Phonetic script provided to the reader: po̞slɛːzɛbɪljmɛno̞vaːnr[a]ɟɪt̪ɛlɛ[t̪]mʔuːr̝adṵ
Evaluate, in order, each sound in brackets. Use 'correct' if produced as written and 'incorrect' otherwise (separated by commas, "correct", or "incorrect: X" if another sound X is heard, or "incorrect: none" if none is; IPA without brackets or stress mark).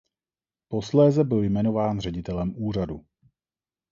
incorrect: ɛ, incorrect: none